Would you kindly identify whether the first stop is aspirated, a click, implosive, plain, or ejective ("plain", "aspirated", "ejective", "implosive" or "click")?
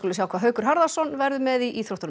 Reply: plain